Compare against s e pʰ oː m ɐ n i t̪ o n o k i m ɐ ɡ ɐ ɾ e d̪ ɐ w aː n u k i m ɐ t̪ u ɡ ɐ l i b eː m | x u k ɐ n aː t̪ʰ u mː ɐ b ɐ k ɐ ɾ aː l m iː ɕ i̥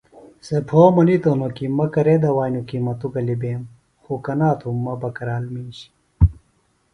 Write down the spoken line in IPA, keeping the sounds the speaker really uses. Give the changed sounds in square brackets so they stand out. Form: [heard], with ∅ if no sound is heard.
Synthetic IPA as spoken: s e pʰ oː m ɐ n i t̪ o n o k i m ɐ [k] ɐ ɾ e d̪ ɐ w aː n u k i m ɐ t̪ u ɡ ɐ l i b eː m | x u k ɐ n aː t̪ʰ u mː ɐ b ɐ k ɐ ɾ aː l m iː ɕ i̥